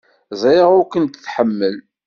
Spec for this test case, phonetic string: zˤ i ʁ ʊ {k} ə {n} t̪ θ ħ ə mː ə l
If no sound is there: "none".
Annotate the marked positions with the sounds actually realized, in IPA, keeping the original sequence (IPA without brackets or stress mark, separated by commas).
k, n